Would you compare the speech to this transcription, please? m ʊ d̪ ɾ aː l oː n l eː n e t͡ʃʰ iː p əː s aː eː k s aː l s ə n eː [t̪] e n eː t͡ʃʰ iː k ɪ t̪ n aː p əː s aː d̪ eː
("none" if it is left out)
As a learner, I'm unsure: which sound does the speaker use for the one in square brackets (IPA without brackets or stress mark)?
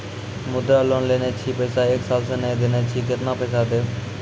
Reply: d̪